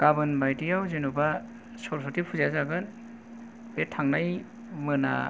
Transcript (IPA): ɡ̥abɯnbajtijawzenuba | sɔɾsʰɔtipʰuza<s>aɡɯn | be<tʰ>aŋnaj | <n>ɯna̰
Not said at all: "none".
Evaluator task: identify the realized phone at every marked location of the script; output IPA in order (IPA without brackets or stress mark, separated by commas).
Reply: z, tʰ, m